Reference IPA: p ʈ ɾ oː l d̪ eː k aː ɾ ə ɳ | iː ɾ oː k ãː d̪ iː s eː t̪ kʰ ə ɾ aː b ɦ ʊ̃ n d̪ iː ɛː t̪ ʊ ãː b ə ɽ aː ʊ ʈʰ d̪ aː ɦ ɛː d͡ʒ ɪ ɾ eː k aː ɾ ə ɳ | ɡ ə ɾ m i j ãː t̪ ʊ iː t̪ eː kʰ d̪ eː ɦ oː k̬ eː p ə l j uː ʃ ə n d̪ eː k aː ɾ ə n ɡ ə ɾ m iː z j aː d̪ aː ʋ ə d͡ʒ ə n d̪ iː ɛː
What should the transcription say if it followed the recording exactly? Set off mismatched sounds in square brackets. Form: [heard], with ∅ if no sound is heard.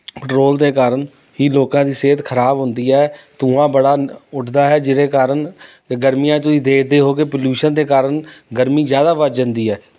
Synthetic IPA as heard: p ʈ ɾ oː l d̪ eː k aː ɾ ə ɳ | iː [l] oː k ãː d̪ iː s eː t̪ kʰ ə ɾ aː b ɦ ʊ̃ n d̪ iː ɛː t̪ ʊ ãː b ə ɽ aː ʊ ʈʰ d̪ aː ɦ ɛː d͡ʒ ɪ ɾ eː k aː ɾ ə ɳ | ɡ ə ɾ m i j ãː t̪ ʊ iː [d̪] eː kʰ d̪ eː ɦ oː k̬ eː p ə l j uː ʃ ə n d̪ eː k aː ɾ ə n ɡ ə ɾ m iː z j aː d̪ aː ʋ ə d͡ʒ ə n d̪ iː ɛː